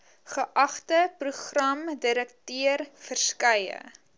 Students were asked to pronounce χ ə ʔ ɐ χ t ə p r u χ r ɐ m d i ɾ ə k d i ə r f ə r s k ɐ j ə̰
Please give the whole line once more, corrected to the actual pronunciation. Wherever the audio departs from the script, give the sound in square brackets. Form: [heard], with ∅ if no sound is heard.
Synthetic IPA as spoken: χ ə ʔ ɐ χ t ə p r u χ r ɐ m d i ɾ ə k [t] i ə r f ə r s k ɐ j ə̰